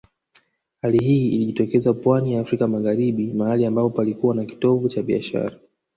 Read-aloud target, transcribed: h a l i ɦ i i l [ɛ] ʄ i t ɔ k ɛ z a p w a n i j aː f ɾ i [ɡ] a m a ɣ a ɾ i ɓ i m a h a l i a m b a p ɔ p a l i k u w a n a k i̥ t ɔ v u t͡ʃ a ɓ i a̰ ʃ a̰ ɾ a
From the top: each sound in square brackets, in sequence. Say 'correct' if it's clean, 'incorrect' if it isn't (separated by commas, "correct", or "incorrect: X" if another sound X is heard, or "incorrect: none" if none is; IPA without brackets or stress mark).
incorrect: i, incorrect: k